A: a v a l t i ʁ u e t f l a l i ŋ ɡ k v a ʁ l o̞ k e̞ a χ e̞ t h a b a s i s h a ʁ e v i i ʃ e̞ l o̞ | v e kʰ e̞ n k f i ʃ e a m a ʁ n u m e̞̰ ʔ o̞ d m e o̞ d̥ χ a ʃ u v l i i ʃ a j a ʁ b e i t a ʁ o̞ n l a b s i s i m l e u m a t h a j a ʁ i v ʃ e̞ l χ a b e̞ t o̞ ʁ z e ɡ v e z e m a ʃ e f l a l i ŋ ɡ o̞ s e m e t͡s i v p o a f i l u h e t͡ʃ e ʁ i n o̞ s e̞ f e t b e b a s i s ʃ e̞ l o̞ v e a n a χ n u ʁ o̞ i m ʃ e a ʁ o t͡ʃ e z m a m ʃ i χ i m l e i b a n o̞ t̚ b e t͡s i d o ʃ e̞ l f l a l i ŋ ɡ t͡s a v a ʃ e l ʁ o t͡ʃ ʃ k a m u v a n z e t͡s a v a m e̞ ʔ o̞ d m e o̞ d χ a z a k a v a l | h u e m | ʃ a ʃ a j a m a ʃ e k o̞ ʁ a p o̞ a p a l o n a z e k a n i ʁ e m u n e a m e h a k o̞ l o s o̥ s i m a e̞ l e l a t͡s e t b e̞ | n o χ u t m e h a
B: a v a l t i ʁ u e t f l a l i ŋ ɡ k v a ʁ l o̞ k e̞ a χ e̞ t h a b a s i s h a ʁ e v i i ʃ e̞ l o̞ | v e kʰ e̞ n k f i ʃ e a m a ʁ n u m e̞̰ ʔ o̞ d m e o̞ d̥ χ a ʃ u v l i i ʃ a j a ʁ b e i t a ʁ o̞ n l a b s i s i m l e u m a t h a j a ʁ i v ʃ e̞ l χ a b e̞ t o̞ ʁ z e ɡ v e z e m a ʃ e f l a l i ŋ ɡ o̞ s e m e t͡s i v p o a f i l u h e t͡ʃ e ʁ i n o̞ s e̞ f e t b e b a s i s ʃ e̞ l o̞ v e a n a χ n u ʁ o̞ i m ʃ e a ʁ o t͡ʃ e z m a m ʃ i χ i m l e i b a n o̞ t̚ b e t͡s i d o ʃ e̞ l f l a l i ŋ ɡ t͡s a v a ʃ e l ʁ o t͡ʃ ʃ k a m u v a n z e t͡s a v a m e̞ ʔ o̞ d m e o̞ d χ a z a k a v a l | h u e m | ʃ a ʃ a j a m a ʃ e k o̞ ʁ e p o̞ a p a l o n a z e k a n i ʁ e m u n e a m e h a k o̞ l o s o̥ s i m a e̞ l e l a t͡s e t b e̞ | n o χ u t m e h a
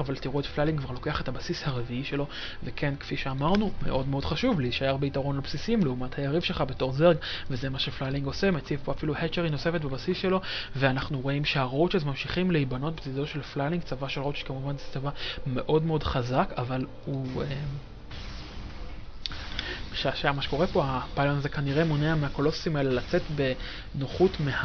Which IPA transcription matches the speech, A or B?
B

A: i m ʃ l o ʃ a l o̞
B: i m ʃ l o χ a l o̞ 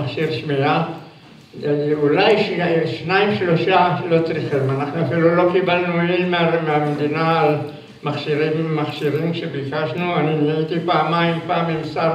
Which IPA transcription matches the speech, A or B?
A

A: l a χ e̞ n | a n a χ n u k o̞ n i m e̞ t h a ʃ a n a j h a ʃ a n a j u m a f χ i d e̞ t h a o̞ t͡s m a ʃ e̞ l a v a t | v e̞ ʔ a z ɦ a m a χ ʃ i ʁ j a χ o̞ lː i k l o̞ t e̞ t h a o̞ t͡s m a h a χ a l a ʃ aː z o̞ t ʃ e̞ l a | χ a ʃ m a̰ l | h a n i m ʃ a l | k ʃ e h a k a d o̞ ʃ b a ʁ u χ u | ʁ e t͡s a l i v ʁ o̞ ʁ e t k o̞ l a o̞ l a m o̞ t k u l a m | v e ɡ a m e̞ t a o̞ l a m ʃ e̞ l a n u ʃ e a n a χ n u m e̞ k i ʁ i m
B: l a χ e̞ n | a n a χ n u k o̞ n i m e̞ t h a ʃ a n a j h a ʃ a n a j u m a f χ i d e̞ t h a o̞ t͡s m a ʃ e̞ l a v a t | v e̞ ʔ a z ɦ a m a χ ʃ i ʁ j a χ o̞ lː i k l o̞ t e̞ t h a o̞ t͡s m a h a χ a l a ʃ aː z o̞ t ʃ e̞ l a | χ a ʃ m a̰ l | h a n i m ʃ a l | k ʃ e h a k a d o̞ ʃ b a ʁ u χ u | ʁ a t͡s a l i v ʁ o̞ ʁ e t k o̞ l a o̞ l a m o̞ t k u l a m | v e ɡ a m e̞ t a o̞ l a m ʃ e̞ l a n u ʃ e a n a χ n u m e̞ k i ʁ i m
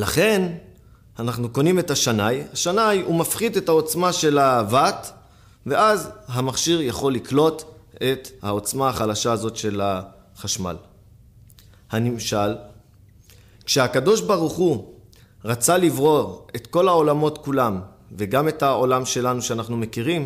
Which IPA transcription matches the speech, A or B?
B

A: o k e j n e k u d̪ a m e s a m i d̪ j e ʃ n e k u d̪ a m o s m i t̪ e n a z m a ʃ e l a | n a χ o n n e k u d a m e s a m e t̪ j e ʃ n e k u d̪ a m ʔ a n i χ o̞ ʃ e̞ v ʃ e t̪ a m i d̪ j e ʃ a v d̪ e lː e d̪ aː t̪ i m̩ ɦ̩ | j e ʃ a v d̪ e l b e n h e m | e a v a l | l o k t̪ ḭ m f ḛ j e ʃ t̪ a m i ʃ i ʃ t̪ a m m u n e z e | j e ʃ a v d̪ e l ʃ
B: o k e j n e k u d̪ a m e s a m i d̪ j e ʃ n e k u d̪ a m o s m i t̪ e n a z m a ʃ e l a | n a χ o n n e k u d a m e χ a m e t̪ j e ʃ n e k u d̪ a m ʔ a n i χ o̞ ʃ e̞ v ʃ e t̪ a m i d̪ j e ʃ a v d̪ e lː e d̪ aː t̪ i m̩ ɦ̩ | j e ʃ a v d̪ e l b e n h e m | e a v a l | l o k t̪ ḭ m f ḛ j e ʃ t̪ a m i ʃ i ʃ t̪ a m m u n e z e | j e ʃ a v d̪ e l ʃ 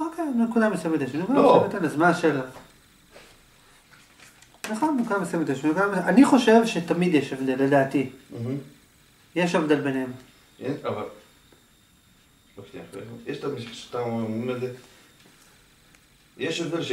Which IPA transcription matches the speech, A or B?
A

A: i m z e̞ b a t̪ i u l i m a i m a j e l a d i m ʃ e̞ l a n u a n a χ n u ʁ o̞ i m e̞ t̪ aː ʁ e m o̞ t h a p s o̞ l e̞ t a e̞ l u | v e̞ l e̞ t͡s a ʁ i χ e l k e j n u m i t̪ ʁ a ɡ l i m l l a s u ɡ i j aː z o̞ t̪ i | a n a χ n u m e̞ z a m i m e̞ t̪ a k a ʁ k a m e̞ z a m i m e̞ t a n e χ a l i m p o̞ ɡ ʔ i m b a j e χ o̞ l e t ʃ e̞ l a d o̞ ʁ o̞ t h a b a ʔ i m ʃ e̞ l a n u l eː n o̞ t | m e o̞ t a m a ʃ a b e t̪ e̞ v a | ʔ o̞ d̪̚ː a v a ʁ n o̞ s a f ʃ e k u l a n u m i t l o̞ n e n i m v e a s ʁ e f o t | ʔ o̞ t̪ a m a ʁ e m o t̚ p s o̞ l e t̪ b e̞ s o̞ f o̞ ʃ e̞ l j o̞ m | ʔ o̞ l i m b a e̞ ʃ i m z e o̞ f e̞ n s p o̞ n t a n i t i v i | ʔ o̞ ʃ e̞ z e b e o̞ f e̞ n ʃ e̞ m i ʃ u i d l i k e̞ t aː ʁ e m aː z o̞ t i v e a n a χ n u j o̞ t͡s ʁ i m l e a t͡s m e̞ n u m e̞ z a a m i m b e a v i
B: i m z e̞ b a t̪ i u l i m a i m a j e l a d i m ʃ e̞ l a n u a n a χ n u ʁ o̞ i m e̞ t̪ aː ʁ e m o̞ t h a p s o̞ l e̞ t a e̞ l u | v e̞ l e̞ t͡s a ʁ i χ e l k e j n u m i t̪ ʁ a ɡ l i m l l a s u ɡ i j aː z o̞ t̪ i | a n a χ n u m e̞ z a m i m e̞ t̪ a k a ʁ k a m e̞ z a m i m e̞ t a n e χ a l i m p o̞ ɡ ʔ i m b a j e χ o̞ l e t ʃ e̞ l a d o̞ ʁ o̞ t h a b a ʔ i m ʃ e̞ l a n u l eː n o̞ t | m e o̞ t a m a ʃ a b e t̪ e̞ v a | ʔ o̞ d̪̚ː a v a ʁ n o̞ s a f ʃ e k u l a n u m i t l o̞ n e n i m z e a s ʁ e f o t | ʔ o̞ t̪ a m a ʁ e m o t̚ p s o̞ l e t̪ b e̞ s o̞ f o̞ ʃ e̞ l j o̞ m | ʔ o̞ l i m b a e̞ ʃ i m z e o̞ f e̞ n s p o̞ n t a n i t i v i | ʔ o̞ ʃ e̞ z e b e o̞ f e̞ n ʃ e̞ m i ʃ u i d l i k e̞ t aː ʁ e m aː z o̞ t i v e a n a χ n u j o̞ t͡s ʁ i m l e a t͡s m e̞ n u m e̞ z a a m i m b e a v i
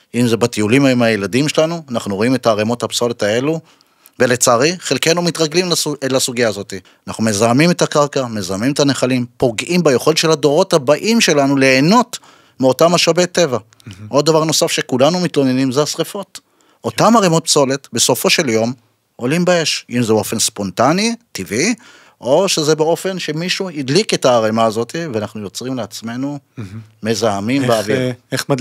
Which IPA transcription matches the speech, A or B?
B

